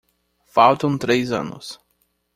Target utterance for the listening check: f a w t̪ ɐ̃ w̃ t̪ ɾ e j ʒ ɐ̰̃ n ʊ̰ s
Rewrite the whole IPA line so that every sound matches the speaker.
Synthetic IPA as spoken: f a w t̪ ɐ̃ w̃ t̪ ɾ e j z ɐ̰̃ n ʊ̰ s